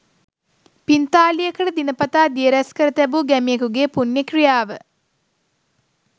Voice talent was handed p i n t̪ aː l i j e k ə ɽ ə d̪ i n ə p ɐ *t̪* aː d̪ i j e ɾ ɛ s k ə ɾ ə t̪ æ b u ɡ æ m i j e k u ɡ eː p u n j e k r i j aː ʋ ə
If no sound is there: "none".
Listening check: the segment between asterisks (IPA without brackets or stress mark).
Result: t̪